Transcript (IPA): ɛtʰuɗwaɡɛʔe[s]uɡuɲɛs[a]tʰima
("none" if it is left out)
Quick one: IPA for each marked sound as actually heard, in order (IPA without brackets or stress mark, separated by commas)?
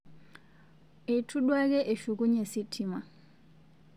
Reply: ʃ, i